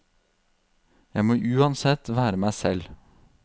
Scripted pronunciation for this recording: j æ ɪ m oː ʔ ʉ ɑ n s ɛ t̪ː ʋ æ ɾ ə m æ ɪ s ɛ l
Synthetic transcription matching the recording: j æ ɪ m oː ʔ ʉː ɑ n s ɛ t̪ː ʋ æː ɾ ə m æ ɪ s ɛ l